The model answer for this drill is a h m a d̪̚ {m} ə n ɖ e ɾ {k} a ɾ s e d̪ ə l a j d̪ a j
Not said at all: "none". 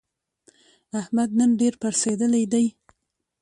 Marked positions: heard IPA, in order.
n, p

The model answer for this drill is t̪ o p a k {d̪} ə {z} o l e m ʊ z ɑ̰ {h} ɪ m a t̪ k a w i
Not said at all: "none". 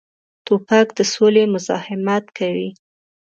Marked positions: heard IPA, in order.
d̪, s, h

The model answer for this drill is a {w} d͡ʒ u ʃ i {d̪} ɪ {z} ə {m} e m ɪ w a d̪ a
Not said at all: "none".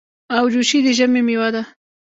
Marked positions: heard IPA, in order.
w, d̪, ʒ, m

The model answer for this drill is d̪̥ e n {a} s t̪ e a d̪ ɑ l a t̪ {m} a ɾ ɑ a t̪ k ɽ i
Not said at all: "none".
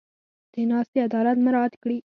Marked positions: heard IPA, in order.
ɑ, m

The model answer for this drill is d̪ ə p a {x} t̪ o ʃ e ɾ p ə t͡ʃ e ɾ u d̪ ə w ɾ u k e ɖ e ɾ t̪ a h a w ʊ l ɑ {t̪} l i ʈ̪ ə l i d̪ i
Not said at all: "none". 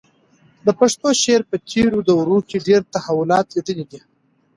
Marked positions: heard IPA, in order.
ʂ, t̪

